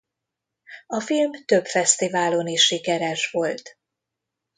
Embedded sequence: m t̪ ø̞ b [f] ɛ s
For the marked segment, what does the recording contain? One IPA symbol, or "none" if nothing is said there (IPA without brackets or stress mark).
f